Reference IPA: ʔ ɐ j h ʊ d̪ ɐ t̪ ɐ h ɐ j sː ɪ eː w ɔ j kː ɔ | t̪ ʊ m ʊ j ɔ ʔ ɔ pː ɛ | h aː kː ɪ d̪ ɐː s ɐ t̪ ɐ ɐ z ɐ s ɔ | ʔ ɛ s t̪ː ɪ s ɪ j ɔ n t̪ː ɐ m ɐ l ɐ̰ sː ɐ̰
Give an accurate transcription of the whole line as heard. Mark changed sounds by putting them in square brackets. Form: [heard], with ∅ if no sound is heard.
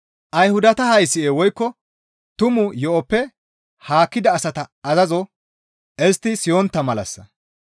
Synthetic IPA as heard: ʔ ɐ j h ʊ d̪ ɐ t̪ ɐ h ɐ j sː ɪ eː w ɔ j kː ɔ | t̪ ʊ m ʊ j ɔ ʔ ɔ pː ɛ | h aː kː ɪ d̪ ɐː s ɐ t̪ ɐ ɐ z ɐ [z] ɔ | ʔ ɛ s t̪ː ɪ s ɪ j ɔ n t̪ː ɐ m ɐ l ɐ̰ sː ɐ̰